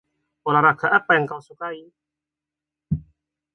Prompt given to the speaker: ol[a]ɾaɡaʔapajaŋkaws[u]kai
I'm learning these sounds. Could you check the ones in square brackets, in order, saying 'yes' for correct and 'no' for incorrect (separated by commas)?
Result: yes, yes